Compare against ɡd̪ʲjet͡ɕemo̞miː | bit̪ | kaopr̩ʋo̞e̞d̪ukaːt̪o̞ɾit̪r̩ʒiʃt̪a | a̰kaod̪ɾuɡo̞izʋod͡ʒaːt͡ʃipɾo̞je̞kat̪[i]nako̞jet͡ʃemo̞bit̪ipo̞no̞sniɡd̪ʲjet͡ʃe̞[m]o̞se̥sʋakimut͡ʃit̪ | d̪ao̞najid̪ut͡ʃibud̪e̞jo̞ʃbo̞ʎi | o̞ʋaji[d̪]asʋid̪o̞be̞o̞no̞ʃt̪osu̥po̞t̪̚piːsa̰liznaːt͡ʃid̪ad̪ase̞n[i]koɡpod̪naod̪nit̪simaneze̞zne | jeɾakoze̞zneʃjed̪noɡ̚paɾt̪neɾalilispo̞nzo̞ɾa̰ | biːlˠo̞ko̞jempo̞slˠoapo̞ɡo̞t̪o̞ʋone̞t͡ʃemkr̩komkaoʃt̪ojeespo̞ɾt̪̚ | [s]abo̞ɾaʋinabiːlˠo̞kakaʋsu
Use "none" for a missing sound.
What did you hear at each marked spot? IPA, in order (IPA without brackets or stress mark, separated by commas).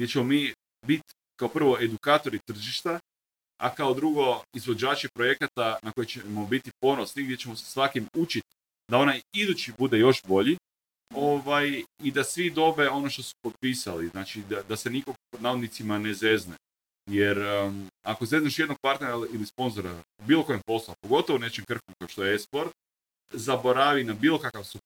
a, m, d̪, i, z